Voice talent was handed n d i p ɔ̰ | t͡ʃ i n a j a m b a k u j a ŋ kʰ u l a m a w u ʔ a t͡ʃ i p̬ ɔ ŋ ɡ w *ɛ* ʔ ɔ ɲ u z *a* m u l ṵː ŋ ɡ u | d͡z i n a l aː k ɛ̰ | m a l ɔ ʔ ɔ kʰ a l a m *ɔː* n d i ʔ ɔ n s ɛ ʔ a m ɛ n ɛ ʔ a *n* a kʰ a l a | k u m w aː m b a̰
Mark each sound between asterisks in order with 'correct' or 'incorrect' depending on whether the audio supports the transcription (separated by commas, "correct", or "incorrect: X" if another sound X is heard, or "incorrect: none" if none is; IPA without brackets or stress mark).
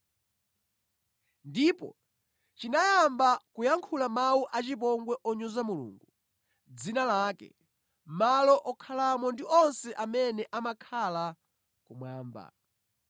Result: correct, correct, incorrect: ɔ, incorrect: m